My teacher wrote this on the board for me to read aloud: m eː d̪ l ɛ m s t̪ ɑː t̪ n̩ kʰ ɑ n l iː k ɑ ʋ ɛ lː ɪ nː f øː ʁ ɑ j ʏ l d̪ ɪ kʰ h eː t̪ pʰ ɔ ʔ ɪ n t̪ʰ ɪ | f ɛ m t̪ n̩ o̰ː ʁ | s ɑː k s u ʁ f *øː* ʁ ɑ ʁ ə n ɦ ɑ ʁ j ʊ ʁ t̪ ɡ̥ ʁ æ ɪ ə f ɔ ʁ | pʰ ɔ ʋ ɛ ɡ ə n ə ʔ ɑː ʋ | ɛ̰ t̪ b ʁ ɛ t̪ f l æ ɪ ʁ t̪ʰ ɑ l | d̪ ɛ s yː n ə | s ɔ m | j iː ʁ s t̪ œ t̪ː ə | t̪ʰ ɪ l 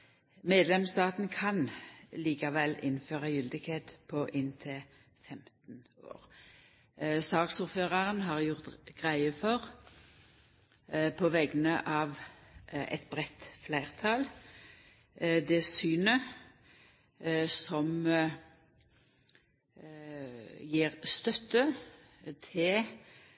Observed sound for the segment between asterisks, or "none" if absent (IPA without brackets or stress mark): øː